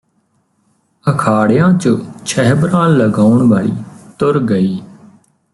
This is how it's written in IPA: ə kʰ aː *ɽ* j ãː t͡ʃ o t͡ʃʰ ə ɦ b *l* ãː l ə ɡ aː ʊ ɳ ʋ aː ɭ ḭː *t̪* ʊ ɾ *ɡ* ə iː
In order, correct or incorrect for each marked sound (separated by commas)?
correct, incorrect, correct, correct